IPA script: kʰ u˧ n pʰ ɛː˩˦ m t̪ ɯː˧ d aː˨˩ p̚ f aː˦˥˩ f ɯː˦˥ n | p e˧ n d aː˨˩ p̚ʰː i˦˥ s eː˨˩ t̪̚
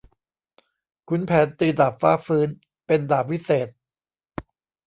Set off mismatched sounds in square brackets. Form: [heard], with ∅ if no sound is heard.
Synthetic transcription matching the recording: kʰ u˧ n pʰ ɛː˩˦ [n] t̪ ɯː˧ d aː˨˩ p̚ f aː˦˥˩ f ɯː˦˥ n | p e˧ n d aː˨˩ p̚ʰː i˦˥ s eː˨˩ t̪̚